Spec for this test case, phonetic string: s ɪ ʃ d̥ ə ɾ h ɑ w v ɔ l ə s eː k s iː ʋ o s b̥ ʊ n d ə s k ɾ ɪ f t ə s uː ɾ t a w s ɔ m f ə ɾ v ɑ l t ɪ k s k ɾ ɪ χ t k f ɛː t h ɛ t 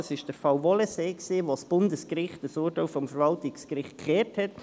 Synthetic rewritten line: s ɪ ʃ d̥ ə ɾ f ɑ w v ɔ l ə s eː k s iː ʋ o s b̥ ʊ n d ə s k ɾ ɪ χ t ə s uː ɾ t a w f ɔ m f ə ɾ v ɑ l t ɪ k s k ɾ ɪ χ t k χ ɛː t h ɛ t